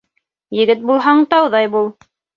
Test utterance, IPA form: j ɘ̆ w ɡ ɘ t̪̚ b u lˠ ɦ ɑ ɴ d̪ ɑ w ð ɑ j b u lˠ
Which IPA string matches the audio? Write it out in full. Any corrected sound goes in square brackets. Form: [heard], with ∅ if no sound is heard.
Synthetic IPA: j ɘ̆ [∅] ɡ ɘ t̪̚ b u lˠ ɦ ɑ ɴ [t̪] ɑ w ð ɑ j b u lˠ